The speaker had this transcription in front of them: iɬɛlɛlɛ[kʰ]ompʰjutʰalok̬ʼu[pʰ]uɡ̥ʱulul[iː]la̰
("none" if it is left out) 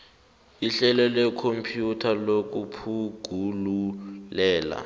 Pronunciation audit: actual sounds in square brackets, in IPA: kʰ, pʰ, ɛː

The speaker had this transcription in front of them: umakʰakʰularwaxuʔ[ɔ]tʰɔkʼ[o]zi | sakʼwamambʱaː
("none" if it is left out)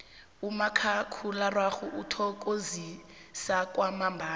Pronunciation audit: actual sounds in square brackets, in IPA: u, o

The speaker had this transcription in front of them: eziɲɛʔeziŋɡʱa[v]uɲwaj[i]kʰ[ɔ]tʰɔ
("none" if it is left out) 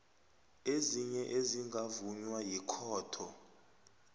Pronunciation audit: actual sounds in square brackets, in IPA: v, i, ɔː

